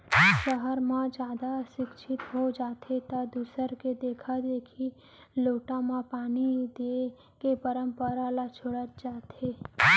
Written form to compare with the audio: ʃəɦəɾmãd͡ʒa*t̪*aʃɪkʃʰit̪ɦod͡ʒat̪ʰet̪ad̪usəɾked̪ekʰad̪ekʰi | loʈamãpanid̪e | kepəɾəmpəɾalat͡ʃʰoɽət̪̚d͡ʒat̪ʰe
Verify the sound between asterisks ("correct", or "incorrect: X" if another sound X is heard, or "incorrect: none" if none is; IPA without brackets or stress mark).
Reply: incorrect: d̪